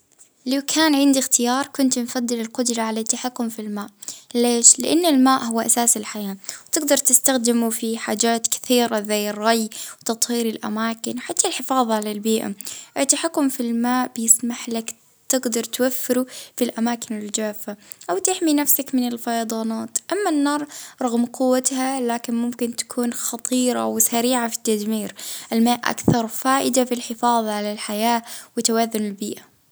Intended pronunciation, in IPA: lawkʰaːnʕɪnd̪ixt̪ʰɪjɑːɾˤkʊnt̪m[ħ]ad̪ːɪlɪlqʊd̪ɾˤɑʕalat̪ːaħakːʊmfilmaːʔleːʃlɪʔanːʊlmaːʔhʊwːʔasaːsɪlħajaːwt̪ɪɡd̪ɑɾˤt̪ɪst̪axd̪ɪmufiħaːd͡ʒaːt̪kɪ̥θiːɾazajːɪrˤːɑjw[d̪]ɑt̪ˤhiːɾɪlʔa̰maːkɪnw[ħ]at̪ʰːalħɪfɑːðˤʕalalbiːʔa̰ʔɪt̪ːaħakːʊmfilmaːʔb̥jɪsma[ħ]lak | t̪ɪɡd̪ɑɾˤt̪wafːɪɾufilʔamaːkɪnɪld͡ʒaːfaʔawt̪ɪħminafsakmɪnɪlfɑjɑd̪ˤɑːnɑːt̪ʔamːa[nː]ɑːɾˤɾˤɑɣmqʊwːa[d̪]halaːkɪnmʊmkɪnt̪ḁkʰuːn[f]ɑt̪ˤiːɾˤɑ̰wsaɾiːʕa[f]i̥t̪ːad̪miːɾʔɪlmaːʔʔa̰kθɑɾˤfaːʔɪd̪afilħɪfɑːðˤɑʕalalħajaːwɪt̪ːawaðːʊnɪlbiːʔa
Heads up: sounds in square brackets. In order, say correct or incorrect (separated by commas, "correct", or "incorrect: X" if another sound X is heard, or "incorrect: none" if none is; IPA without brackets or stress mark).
incorrect: f, incorrect: t̪, correct, correct, correct, incorrect: t̪, incorrect: x, correct